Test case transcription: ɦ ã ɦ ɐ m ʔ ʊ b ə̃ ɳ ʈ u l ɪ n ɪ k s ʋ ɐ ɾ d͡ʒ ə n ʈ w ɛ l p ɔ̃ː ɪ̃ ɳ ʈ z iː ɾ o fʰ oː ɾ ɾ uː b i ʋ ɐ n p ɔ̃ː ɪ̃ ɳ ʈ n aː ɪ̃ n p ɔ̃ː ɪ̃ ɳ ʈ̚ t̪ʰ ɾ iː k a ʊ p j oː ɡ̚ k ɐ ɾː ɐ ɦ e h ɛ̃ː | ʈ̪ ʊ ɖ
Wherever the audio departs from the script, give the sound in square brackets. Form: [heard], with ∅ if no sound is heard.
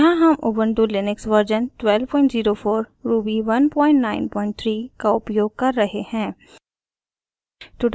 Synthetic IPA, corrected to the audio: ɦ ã ɦ ɐ m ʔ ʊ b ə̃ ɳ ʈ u l ɪ n ɪ k s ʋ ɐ ɾ d͡ʒ ə n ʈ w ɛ l p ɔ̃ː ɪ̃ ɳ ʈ z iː ɾ o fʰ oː ɾ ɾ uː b i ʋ ɐ n p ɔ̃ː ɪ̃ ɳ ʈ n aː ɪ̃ n p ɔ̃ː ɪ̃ ɳ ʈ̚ t̪ʰ ɾ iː k a ʊ p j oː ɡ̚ k ɐ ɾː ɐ ɦ e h ɛ̃ː | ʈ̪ ʊ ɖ